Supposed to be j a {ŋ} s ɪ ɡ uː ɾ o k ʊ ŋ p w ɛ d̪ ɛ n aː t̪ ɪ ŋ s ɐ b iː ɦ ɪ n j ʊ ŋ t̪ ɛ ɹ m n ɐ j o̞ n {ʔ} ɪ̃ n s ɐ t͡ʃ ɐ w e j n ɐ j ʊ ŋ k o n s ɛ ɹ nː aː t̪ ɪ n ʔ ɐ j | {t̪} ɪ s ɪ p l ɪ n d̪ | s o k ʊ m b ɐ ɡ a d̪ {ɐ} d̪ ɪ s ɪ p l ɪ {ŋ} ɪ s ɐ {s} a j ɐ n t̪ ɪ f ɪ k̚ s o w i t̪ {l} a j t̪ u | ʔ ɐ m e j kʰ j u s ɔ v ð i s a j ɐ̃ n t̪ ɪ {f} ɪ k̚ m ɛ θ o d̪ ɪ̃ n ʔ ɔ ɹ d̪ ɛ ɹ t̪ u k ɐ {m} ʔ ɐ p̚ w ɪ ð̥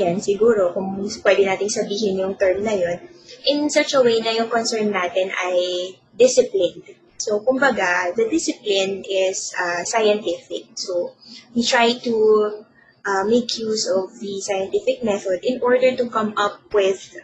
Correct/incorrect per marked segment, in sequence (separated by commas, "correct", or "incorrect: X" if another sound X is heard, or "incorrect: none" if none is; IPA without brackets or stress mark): incorrect: n, correct, incorrect: d̪, correct, incorrect: n, correct, incorrect: ɹ, correct, correct